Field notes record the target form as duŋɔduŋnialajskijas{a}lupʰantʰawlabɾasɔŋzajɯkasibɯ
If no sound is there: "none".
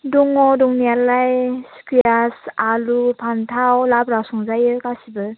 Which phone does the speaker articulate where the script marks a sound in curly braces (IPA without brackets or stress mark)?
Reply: a